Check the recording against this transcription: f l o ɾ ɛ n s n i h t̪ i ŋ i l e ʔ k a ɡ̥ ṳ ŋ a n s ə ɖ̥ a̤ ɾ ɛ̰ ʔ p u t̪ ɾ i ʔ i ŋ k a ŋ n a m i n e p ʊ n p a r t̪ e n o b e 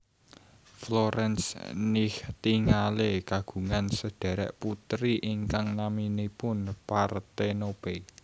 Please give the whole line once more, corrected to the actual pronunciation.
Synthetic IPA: f l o ɾ ɛ n s n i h t̪ i ŋ a l e k a ɡ̥ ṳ ŋ a n s ə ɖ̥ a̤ ɾ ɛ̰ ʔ p u t̪ ɾ i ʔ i ŋ k a ŋ n a m i n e p ʊ n p a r t̪ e n o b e